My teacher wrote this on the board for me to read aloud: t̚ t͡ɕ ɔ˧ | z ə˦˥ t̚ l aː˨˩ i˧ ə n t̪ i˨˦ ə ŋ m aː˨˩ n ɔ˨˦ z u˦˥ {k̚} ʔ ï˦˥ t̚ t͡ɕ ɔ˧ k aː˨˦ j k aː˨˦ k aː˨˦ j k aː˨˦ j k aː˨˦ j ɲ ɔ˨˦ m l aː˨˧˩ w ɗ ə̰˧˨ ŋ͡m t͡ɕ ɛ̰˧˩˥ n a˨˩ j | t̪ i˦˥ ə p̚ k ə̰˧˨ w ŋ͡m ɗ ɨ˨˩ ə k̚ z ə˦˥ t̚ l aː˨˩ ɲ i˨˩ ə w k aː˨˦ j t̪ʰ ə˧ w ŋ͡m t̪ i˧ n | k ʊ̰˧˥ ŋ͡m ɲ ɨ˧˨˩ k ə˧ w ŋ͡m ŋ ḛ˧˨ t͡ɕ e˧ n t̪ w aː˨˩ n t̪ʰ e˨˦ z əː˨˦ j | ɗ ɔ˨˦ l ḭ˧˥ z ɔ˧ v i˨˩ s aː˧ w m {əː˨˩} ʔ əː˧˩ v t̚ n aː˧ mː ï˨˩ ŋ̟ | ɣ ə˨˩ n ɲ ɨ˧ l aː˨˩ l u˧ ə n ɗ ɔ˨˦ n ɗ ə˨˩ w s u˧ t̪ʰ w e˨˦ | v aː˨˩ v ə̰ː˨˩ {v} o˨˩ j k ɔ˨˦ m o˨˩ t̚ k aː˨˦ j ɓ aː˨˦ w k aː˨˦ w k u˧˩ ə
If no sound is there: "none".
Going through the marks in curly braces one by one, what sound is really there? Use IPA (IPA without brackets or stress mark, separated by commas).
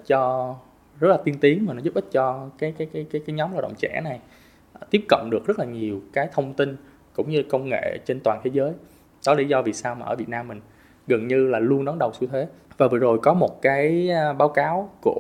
p̚, aː˨˩, z